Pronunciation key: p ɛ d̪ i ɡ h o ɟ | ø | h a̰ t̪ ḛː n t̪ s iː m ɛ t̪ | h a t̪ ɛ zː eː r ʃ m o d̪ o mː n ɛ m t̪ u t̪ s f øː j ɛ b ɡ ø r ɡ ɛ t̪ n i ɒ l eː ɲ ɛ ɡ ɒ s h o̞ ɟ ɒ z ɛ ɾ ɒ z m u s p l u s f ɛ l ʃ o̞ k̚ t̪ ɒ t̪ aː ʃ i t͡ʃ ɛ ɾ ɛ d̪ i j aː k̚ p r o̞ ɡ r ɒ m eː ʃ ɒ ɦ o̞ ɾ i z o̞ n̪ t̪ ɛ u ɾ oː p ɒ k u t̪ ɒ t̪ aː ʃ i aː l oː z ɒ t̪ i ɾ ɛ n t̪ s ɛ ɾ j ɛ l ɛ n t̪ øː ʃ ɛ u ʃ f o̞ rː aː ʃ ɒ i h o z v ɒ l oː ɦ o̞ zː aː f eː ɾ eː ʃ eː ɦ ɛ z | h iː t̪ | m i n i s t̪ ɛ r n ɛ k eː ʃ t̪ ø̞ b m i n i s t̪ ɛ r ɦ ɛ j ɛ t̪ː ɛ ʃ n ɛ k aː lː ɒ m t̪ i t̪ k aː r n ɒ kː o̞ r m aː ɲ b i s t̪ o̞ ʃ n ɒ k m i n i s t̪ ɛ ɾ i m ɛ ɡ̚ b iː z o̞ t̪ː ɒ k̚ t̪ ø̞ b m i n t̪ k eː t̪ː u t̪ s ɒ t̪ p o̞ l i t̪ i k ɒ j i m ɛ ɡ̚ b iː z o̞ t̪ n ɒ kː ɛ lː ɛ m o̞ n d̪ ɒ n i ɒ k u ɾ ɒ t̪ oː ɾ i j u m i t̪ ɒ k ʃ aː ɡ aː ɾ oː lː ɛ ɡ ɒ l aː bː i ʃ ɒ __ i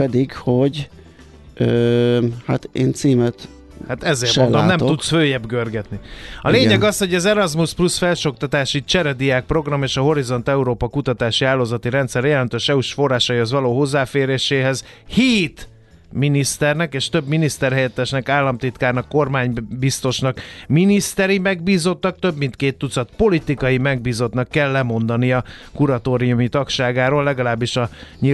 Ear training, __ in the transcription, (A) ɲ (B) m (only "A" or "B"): A